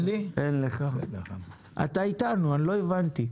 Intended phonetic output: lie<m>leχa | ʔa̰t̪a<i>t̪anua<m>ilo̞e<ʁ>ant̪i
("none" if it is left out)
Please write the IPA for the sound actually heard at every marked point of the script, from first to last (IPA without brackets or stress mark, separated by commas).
n, i, n, v